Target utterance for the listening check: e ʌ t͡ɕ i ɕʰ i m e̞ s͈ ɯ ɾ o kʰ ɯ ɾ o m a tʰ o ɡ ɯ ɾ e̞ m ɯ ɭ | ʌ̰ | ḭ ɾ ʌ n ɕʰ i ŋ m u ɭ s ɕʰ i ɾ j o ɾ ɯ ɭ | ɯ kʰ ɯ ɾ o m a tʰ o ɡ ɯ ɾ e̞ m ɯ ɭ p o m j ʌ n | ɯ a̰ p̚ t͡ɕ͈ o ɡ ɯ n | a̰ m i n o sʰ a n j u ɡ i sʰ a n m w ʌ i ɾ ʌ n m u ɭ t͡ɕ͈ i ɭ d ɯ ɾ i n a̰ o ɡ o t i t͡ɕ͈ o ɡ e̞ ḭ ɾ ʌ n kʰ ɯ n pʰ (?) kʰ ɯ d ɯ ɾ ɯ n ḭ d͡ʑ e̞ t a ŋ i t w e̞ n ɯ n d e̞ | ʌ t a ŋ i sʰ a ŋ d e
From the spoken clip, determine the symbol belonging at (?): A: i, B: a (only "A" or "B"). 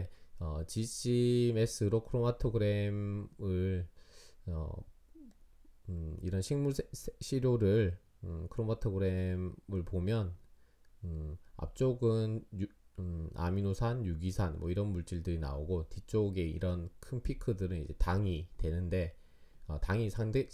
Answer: A